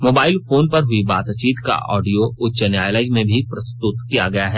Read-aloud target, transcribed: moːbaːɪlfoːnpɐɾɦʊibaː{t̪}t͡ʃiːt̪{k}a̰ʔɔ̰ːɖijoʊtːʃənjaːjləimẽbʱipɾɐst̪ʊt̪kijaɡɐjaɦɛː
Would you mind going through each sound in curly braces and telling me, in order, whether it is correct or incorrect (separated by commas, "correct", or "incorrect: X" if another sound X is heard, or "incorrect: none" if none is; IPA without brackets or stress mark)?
correct, correct